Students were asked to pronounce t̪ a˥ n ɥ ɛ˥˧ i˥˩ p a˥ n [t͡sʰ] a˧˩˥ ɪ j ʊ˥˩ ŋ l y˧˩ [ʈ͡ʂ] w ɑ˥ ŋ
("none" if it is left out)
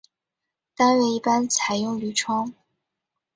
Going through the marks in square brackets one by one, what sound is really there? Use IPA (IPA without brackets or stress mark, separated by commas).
t͡sʰ, ʈ͡ʂʰ